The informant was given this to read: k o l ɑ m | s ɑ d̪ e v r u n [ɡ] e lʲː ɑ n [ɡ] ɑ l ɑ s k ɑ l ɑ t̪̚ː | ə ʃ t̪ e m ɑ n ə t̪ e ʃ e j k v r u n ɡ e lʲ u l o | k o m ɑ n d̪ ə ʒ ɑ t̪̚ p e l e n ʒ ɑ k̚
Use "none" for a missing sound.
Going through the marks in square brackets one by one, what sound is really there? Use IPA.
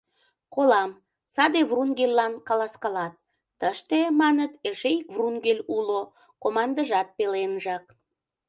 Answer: ɡ, k

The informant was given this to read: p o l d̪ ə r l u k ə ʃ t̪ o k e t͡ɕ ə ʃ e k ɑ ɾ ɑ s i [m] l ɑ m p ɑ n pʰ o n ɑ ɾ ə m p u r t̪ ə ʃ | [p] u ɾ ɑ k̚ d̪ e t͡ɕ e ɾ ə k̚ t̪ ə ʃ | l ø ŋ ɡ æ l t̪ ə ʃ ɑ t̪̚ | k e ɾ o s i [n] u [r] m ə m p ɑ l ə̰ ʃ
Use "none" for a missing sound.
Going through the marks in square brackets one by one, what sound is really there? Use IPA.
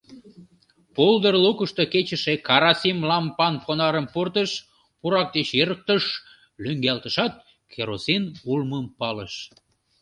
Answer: m, p, n, l

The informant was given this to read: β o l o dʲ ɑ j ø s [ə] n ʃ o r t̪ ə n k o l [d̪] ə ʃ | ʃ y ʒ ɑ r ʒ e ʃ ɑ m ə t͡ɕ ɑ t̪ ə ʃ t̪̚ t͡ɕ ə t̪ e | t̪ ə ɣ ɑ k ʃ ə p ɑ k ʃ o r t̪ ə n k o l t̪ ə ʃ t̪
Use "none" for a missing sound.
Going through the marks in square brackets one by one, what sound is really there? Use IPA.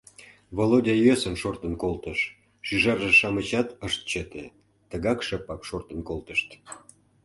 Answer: ə, t̪

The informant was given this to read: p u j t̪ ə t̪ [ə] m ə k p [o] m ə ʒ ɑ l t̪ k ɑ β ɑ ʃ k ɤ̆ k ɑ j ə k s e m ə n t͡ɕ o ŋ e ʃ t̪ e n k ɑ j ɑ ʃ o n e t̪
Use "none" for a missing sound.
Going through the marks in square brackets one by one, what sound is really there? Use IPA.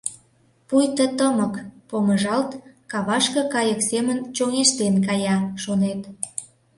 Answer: ə, o

